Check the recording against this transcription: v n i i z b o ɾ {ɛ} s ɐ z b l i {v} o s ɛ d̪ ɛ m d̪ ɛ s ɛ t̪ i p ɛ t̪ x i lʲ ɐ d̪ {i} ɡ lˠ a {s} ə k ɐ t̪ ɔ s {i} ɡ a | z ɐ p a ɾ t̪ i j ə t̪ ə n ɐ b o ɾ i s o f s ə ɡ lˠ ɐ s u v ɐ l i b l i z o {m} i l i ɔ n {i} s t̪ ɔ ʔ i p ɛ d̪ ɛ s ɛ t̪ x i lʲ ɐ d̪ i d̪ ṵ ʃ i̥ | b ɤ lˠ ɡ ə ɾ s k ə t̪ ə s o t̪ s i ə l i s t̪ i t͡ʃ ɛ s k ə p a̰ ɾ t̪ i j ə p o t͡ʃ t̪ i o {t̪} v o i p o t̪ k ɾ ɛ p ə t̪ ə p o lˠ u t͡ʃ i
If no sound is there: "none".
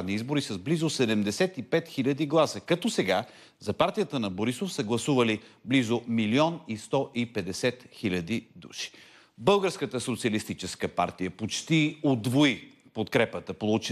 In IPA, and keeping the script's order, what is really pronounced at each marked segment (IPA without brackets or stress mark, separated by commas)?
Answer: i, z, i, s, ɛ, m, i, d̪